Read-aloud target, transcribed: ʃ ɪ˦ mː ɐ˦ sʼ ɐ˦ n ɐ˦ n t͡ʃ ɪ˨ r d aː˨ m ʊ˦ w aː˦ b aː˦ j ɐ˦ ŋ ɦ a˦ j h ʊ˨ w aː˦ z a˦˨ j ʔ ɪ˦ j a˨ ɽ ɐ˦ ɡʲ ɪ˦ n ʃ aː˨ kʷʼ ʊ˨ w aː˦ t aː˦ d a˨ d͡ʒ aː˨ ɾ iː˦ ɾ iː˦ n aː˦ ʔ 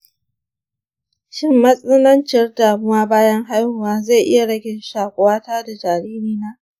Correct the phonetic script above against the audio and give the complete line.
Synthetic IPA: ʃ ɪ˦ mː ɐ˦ sʼ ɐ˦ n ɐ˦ n t͡ʃ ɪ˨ r d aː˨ m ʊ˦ w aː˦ b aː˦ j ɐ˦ ŋ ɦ a˦ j h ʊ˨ w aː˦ z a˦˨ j ʔ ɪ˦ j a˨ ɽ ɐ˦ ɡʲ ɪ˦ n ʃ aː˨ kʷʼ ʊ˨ w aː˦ t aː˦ d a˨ d͡ʒ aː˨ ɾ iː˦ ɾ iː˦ n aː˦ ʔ